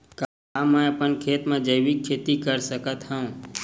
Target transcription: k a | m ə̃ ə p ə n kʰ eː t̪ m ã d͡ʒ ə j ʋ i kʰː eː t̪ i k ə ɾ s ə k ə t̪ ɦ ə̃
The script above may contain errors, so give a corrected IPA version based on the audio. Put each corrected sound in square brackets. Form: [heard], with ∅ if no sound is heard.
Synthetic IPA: k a | m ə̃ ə p ə n kʰ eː t̪ m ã d͡ʒ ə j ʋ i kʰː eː t̪ i k ə ɾ s ə k ə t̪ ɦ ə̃